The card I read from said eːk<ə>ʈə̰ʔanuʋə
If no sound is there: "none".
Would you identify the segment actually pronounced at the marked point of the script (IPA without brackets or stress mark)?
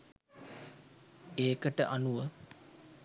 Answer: ə